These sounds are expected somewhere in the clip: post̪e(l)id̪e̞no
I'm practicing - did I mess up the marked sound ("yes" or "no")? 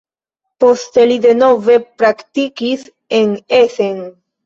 no